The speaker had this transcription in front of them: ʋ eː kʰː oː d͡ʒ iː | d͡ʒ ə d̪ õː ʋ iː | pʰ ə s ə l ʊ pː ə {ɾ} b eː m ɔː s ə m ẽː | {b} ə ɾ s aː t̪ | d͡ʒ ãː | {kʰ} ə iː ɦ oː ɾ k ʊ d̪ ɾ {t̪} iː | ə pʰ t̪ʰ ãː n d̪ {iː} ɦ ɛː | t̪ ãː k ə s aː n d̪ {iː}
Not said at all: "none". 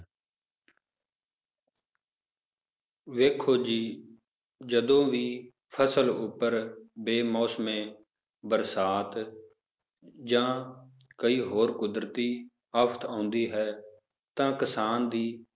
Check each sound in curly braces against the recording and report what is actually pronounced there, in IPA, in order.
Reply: ɾ, b, k, t̪, iː, iː

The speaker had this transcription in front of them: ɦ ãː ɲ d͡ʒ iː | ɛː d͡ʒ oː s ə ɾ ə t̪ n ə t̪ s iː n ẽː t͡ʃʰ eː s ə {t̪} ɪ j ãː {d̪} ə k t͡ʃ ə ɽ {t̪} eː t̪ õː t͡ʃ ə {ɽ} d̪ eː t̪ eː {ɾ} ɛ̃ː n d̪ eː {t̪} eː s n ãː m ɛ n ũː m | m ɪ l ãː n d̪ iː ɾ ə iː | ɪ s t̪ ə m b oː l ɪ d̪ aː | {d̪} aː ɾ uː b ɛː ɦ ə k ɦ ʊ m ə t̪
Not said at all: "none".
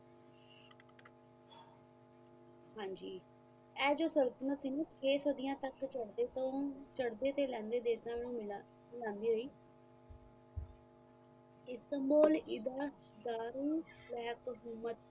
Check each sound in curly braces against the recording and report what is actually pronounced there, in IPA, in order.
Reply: d̪, t̪, d̪, ɽ, l, d̪, d̪

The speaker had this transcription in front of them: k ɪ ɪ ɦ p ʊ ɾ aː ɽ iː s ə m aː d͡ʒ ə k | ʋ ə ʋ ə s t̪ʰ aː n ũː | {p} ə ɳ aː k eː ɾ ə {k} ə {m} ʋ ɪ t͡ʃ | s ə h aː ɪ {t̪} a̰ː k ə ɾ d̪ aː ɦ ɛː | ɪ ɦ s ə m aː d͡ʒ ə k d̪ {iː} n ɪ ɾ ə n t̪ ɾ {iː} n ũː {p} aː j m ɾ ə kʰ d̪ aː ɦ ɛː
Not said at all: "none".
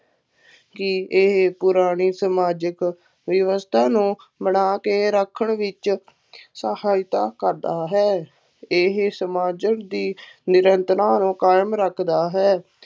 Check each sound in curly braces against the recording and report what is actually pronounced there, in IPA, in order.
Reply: b, kʰ, ɳ, t̪, iː, aː, k

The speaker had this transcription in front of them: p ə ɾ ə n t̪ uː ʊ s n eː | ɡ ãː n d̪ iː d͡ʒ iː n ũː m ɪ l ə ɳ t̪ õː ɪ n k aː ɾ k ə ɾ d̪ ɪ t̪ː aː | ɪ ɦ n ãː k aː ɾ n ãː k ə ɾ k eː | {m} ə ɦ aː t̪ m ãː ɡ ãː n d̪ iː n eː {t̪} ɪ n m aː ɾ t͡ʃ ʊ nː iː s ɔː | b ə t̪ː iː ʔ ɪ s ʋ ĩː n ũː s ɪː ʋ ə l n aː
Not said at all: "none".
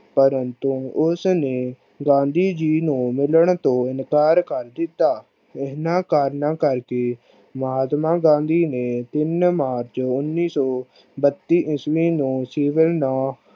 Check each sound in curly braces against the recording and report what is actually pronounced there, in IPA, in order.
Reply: m, t̪

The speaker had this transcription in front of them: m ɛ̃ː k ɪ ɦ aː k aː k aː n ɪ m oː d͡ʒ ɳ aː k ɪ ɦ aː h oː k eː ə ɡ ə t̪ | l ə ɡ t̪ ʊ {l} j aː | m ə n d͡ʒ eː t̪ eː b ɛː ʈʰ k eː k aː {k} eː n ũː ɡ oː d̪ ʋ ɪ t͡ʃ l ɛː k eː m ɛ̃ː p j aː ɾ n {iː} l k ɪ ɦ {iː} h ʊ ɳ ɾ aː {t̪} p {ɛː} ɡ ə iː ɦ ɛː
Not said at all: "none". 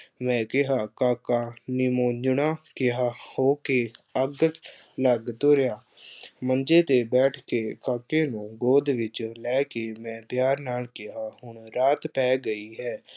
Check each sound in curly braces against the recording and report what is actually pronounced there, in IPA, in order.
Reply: ɾ, k, aː, aː, t̪, ɛː

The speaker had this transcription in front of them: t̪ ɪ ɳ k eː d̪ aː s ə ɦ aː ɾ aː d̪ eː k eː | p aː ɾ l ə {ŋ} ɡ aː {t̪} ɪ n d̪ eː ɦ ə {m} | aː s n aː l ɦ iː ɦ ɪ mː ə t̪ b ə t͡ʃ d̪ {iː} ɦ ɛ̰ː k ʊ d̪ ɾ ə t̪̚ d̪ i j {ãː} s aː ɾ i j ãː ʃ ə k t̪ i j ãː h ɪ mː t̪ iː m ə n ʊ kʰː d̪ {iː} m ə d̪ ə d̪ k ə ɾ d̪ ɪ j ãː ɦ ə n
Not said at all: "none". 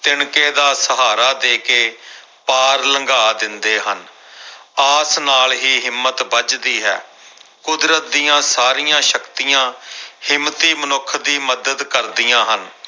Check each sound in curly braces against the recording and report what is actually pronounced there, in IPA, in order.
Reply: ŋ, d̪, n, iː, ãː, iː

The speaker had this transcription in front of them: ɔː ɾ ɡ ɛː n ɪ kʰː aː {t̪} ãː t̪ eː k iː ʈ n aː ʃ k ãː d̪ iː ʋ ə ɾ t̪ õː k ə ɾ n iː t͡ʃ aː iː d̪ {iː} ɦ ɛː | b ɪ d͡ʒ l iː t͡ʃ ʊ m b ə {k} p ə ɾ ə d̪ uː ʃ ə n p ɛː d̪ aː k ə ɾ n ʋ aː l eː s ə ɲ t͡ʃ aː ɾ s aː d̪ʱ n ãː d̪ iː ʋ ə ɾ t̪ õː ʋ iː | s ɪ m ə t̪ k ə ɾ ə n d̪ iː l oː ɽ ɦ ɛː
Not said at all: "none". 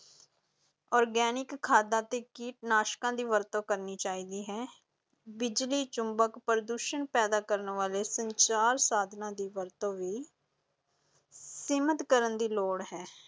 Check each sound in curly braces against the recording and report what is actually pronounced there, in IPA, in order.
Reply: d̪, iː, k

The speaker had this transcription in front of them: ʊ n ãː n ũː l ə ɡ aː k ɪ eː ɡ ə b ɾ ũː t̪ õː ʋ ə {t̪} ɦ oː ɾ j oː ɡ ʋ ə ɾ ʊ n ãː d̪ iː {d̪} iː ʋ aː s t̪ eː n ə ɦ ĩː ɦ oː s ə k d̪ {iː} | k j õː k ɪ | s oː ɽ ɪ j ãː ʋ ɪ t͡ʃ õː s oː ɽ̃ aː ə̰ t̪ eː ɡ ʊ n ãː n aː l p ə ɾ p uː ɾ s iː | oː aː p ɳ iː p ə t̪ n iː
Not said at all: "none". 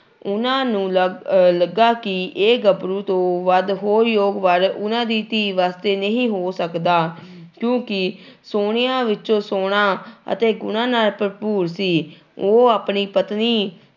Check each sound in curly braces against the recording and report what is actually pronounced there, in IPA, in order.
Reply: d̪, t̪, aː

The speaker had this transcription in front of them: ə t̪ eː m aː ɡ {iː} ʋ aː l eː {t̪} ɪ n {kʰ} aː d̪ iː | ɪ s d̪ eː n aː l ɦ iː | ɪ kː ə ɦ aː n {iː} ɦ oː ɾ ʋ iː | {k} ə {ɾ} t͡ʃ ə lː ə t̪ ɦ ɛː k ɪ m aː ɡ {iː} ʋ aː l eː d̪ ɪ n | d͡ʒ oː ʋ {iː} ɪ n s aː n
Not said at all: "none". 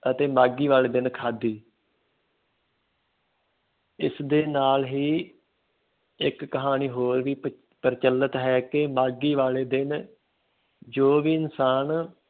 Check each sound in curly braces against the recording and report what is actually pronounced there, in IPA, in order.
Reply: iː, d̪, kʰ, iː, p, ɾ, iː, iː

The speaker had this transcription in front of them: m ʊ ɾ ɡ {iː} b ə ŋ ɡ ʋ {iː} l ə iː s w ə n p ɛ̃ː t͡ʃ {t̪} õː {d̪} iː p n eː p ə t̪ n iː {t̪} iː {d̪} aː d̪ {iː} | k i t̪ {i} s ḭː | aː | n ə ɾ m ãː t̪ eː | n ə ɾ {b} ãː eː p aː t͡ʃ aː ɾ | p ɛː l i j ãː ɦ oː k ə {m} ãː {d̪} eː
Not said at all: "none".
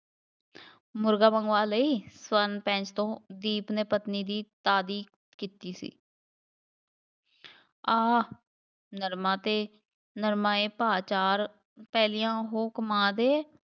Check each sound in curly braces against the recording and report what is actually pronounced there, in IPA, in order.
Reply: aː, aː, t̪, d̪, d̪, t̪, iː, iː, m, m, d̪

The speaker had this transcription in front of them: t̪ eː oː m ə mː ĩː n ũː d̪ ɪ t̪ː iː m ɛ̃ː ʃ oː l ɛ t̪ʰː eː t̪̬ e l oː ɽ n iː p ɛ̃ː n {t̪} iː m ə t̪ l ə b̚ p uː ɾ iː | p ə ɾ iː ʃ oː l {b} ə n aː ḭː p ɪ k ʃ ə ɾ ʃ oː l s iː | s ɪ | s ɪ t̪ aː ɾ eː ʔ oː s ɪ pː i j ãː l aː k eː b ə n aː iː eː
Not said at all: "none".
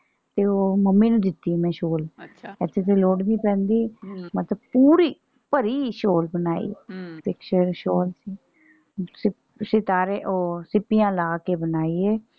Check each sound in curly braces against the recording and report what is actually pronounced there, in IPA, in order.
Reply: d̪, b

